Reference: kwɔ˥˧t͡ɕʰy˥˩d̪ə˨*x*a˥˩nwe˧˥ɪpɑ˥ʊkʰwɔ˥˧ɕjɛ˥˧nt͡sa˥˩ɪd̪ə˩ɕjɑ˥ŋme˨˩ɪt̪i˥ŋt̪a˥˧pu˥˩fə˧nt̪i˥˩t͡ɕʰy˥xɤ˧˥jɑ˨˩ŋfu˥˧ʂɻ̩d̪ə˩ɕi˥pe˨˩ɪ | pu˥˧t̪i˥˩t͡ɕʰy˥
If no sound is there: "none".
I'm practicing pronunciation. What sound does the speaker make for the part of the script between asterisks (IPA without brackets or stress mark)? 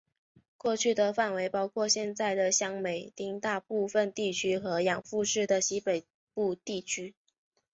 f